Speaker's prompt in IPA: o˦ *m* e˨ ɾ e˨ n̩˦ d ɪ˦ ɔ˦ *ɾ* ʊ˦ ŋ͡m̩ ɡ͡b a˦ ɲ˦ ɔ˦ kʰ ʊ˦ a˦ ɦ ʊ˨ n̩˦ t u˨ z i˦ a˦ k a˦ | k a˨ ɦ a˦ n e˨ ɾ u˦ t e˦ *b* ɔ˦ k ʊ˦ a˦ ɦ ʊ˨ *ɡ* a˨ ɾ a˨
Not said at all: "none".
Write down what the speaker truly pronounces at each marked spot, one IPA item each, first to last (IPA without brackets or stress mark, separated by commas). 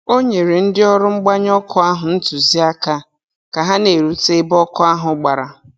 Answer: ɲ, ɾ, b, ɡ͡b